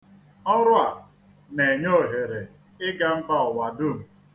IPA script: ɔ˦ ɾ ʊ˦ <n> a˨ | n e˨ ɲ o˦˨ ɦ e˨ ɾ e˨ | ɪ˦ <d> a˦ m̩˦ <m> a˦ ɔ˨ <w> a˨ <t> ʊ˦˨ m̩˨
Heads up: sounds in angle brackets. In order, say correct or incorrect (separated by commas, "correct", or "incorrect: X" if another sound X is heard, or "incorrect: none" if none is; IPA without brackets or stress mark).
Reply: incorrect: none, incorrect: ɡ, incorrect: b, correct, incorrect: d